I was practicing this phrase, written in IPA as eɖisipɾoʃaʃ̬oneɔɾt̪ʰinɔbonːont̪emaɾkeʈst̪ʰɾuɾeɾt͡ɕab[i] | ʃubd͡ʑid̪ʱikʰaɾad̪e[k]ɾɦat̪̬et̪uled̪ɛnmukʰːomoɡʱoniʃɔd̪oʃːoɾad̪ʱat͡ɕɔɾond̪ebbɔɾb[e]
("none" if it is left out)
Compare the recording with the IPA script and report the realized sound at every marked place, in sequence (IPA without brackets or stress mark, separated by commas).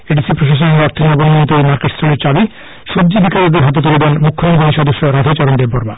i, none, a